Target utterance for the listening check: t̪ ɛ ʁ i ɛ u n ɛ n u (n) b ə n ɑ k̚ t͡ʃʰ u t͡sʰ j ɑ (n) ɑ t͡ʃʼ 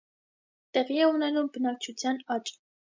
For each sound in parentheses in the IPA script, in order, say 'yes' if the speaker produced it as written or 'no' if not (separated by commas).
no, yes